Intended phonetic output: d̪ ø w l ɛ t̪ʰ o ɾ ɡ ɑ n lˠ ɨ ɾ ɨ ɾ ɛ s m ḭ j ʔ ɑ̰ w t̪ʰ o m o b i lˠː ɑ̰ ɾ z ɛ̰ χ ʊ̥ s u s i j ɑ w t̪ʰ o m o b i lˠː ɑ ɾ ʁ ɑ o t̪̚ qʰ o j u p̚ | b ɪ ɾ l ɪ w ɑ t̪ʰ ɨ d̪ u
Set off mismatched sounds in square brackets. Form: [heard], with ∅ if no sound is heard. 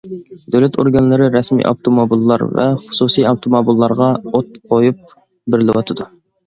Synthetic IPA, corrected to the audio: d̪ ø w l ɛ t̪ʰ o ɾ ɡ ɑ n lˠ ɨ ɾ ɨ ɾ ɛ s m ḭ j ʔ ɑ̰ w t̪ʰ o m o b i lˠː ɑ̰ ɾ [v] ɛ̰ χ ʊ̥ s u s i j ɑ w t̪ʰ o m o b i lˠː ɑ ɾ ʁ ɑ o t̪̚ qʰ o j u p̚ | b ɪ ɾ l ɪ w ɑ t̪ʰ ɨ d̪ u